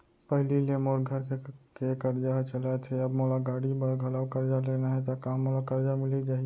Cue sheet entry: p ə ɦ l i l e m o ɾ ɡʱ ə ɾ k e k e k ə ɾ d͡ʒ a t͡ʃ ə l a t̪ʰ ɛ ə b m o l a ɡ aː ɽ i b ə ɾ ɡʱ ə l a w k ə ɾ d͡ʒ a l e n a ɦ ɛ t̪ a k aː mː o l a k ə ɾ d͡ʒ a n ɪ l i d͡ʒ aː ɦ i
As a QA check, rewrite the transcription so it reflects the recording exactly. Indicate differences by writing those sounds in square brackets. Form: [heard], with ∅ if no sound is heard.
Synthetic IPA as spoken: p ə ɦ l i l e m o ɾ ɡʱ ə ɾ k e k e k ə ɾ d͡ʒ a t͡ʃ ə l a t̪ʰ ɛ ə b m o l a ɡ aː ɽ i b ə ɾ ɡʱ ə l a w k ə ɾ d͡ʒ a l e n a ɦ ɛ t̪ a k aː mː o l a k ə ɾ d͡ʒ a [m] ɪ l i d͡ʒ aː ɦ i